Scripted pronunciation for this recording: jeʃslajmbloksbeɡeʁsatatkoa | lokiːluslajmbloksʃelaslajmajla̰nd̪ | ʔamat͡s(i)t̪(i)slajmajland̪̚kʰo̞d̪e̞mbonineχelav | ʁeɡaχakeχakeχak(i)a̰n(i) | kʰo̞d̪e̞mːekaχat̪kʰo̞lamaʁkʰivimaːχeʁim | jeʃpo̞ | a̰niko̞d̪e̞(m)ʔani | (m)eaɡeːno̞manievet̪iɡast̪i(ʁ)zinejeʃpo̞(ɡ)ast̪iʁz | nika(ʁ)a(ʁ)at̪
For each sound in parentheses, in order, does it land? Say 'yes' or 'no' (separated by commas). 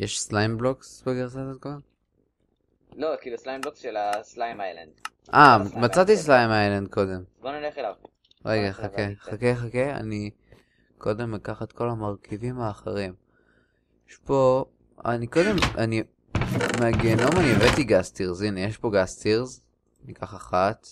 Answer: no, yes, no, yes, yes, yes, yes, yes, no, no